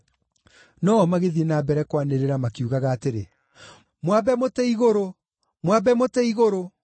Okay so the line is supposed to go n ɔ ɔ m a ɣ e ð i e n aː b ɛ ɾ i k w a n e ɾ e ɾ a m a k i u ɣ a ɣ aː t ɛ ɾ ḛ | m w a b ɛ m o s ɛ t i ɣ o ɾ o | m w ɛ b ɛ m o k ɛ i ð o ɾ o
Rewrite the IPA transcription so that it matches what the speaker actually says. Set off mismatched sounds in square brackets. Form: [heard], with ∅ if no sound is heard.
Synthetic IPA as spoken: n ɔ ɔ m a ɣ e ð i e n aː b ɛ ɾ [ɛ] k w a n e ɾ e ɾ a m a k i u ɣ a ɣ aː t [e] ɾ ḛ | m w a b ɛ m o [t] ɛ [∅] i ɣ o ɾ o | m w [a] b ɛ m o [t] ɛ i [ɣ] o ɾ o